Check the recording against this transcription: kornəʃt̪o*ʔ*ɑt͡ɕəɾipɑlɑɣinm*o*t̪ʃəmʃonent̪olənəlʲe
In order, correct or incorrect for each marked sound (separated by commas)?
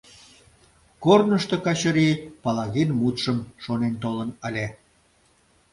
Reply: incorrect, incorrect